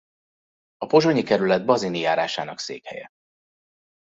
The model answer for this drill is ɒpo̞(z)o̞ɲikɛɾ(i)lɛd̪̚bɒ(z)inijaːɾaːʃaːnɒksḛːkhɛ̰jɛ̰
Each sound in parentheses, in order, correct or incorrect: incorrect, incorrect, correct

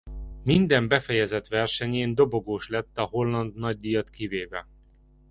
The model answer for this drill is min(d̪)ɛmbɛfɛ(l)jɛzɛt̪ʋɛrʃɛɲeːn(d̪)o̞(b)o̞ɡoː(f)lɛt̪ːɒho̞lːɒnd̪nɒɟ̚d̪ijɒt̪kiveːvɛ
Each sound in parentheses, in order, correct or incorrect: correct, incorrect, correct, correct, incorrect

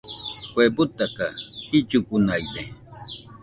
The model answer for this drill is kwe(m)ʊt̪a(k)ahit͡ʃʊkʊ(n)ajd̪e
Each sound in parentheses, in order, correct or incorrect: incorrect, correct, correct

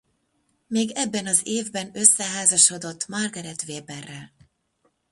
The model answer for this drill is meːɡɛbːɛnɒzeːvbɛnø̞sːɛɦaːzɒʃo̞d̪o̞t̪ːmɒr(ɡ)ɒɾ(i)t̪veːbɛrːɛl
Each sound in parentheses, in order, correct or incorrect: correct, incorrect

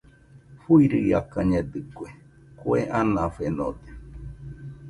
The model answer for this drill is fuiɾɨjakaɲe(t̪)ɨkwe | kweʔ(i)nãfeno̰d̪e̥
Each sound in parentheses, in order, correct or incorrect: incorrect, incorrect

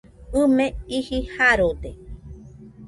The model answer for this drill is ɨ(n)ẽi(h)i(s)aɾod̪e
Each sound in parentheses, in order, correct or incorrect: incorrect, correct, incorrect

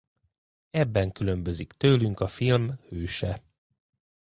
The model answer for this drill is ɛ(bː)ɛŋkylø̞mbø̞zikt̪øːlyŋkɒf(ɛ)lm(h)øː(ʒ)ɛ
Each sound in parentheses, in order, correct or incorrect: correct, incorrect, correct, incorrect

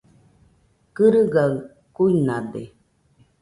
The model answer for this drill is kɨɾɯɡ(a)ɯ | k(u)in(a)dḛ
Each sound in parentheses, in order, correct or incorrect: correct, correct, correct

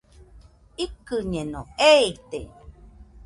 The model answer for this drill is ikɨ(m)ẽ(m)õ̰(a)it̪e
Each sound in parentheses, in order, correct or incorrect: incorrect, incorrect, incorrect

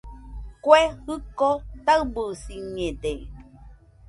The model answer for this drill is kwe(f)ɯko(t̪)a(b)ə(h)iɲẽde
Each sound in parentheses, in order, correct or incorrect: incorrect, correct, correct, incorrect

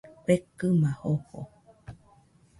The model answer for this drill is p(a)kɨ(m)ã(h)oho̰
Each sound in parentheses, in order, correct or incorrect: incorrect, correct, correct

